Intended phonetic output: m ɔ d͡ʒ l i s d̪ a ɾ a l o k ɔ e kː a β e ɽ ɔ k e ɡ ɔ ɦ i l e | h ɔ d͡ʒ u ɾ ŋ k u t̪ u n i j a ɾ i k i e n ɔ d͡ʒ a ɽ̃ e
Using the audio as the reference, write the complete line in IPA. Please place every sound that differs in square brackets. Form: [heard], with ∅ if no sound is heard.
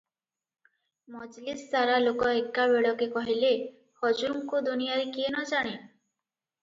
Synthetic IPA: m ɔ d͡ʒ l i s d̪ a ɾ a l o k ɔ e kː a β e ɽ ɔ k e [k] ɔ ɦ i l e | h ɔ d͡ʒ u ɾ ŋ k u [d̪] u n i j a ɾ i k i e n ɔ d͡ʒ a ɽ̃ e